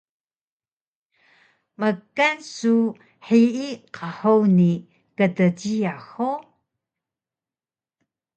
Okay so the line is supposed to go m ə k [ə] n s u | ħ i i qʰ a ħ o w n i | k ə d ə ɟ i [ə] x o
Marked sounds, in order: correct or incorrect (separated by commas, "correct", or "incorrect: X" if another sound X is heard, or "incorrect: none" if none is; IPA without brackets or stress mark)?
incorrect: a, incorrect: a